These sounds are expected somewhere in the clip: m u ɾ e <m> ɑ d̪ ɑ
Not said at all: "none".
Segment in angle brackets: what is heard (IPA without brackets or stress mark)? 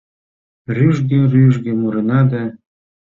n